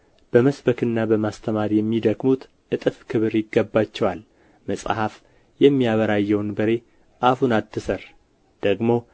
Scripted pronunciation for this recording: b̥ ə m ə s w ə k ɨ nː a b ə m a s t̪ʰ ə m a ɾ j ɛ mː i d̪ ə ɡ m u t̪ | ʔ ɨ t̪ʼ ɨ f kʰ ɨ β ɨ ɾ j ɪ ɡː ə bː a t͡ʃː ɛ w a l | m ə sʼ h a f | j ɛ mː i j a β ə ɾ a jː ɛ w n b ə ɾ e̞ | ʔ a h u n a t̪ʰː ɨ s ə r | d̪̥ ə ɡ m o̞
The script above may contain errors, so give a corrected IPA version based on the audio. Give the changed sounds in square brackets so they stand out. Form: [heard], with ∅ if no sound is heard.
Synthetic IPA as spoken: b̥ ə m ə s [b] ə k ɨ nː a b ə m a s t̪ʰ ə m a ɾ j ɛ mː i d̪ ə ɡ m u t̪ | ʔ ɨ t̪ʼ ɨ f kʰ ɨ β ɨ ɾ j ɪ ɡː ə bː a t͡ʃː ɛ w a l | m ə sʼ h a f | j ɛ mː i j a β ə ɾ a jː ɛ w n b ə ɾ e̞ | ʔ a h u n a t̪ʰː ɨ s ə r | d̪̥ ə ɡ m o̞